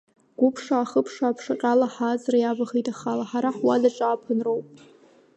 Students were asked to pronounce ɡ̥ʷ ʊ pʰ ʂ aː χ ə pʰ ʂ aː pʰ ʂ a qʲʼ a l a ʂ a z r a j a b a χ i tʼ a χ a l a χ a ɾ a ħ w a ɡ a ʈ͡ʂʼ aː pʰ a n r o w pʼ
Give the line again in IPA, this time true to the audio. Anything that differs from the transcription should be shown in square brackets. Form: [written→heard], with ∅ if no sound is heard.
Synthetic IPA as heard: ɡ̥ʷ ʊ pʰ ʂ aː χ ə pʰ ʂ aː pʰ ʂ a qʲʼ a l a [ʂ→ħ] a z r a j a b a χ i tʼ a χ a l a [χ→ħ] a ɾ a ħ w a [ɡ→d] a ʈ͡ʂʼ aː pʰ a n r o w pʼ